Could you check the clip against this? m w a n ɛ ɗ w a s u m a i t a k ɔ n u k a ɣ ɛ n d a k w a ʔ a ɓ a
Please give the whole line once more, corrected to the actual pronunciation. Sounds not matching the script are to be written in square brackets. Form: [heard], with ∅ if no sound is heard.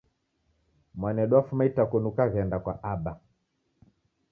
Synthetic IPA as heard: m w a n ɛ ɗ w a [f] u m a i t a k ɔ n u k a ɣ ɛ n d a k w a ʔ a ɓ a